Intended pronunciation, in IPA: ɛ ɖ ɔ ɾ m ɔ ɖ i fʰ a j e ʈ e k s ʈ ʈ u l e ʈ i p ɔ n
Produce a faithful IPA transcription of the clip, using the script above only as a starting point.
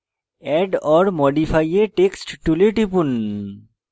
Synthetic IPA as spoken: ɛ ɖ ɔ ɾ m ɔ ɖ i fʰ a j e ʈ e k s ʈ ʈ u l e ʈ i p u n

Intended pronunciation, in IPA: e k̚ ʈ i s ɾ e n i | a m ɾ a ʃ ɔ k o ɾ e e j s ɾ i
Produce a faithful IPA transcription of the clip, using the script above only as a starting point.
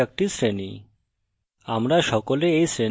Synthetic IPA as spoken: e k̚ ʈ i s ɾ e n i | a m ɾ a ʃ ɔ k o l e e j s ɾ e

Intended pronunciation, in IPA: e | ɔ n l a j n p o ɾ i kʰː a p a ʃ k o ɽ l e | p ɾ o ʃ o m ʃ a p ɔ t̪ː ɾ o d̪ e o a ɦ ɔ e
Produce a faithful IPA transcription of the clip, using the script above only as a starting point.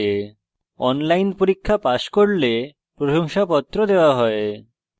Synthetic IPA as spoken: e | ɔ n l a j n p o ɾ i kʰː a p a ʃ k o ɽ l e | p ɾ o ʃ o ŋ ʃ a p ɔ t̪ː ɾ o d̪ e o a ɦ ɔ e

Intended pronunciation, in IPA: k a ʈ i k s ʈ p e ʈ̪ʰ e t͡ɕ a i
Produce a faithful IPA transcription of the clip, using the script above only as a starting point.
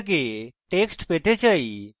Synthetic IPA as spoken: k e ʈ e k s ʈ p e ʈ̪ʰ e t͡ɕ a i

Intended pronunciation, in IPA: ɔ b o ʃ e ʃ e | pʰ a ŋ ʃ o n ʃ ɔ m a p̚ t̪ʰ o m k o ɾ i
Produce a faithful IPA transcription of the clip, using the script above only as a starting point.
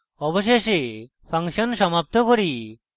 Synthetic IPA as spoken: ɔ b o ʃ e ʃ e | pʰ a ŋ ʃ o n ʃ ɔ m a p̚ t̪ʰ o k o ɾ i

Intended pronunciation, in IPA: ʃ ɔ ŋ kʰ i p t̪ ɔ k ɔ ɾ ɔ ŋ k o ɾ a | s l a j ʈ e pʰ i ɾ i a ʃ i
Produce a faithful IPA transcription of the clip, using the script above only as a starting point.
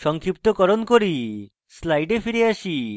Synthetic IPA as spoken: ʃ ɔ ŋ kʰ i p t̪ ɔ k ɔ ɾ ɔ n k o ɾ i | s l a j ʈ e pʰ i ɾ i a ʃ i

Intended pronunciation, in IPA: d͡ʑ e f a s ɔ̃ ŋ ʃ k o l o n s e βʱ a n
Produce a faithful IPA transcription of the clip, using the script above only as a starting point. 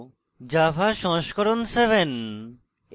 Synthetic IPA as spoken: d͡ʑ a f a ʃ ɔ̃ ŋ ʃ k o ɾ o n s e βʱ e n

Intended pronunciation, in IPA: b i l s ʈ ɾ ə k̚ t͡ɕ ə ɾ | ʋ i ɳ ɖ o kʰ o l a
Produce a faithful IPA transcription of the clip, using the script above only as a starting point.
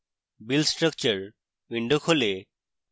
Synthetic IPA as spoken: b i l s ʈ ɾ ə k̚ t͡ɕ ə ɾ | ʋ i ɳ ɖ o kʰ o l e

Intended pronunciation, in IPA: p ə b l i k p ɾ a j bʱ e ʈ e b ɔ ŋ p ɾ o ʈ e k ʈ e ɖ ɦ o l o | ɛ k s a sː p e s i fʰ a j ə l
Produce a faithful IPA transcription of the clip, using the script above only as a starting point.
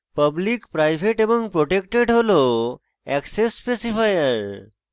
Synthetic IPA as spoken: p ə b l i k p ɾ a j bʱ e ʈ e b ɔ ŋ p ɾ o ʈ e k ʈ e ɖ ɦ o l o | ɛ k s e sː p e s i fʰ a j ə ɾ

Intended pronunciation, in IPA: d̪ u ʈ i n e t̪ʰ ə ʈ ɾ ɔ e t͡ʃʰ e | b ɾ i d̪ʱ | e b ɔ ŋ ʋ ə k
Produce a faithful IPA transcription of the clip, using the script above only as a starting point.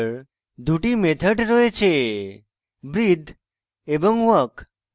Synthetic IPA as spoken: d̪ u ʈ i m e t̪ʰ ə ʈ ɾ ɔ e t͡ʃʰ e | b ɾ i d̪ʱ | e b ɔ ŋ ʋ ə k

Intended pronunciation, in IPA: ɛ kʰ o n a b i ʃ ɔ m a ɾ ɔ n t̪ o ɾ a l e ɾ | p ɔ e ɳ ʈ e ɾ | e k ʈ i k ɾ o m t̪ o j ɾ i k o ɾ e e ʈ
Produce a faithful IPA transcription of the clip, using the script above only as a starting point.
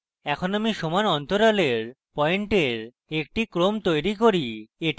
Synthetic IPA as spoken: ɛ kʰ o n a m i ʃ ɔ m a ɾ ɔ n t̪ o ɾ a l e ɾ | p ɔ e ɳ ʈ e ɾ | e k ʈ i k ɾ o m t̪ o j ɾ i k o ɾ i e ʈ

